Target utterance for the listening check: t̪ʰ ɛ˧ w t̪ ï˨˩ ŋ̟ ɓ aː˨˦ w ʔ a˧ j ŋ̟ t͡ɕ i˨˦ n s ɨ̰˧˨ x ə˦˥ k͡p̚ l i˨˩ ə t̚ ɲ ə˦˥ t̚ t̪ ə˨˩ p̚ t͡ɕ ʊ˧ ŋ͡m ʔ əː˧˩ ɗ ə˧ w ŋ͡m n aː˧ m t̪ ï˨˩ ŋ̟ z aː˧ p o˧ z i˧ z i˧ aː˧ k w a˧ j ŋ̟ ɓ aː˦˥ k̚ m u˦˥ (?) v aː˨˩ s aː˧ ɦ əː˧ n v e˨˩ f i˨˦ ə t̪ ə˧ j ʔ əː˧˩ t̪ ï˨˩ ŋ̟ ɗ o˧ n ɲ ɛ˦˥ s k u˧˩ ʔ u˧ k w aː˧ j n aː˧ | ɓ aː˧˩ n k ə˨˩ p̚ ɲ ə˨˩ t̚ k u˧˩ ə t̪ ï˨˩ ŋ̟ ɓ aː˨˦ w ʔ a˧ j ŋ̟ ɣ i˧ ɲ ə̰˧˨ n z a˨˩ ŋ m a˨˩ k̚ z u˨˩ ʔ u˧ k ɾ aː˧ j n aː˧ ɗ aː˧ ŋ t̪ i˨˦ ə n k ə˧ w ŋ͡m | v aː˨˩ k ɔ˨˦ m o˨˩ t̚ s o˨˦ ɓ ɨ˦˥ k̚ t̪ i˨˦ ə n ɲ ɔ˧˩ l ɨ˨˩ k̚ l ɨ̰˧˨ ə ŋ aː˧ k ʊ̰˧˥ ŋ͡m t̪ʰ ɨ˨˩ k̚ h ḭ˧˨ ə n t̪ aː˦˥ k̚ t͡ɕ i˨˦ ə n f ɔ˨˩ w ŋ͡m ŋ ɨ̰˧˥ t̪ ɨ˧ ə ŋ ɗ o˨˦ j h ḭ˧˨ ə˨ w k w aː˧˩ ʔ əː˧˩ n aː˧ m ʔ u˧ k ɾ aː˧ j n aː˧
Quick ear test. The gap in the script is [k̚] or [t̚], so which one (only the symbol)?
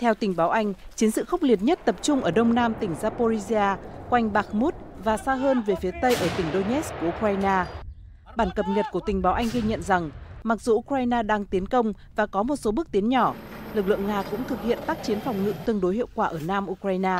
t̚